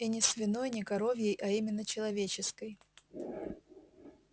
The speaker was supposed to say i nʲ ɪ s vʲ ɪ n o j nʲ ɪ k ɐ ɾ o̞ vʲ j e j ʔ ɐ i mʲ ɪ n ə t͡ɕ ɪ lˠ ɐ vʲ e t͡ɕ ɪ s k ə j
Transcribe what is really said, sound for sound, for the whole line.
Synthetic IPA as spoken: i nʲ ɪ s vʲ ɪ n o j nʲ ɪ k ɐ ɾ o̞ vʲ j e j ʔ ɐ i mʲ ɪ nː ə t͡ɕ ɪ lˠ ɐ vʲ e t͡ɕ ɪ s k ə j